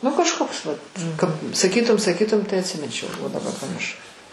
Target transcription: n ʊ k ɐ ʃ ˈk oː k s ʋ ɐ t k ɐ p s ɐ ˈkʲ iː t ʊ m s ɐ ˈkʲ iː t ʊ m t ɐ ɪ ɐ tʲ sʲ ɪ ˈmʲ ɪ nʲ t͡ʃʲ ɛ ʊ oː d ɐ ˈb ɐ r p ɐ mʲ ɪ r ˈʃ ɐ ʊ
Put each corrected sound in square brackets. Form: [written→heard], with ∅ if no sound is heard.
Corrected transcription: n ʊ k ɐ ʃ ˈk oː k s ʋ ɐ t k ɐ p s ɐ ˈkʲ iː t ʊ m s ɐ ˈkʲ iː t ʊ m t ɐ ɪ ɐ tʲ sʲ ɪ ˈmʲ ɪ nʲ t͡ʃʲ ɛ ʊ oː d ɐ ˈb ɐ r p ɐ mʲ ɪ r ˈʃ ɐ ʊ